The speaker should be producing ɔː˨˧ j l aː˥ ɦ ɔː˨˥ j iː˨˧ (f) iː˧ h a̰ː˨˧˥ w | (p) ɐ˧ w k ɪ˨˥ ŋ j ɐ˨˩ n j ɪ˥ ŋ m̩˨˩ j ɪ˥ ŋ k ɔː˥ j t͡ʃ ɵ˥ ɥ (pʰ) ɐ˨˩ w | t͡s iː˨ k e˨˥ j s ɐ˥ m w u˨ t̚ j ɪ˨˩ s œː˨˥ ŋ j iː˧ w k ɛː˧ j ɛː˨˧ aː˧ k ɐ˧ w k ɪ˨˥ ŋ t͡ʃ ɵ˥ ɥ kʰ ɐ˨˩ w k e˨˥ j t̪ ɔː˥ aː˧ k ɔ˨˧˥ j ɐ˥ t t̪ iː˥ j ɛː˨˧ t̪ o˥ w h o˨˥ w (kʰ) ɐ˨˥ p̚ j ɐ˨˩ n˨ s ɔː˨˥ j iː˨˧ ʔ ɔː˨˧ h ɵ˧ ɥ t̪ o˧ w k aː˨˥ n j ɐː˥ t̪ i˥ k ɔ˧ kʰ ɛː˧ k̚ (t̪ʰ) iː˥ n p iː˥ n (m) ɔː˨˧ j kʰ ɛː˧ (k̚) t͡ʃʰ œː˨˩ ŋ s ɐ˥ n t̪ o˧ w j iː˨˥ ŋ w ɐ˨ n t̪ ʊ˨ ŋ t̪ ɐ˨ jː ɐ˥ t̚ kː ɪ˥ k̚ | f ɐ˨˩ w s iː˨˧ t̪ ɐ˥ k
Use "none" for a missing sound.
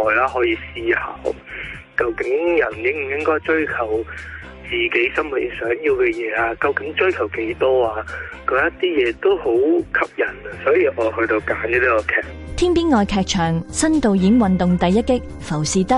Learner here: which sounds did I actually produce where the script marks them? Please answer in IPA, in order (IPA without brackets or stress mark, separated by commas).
s, k, kʰ, kʰ, t̪ʰ, ŋ, k̚